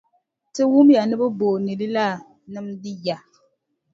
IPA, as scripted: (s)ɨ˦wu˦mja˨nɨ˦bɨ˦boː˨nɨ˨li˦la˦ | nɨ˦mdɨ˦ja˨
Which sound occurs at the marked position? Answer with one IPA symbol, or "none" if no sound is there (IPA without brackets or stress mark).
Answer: t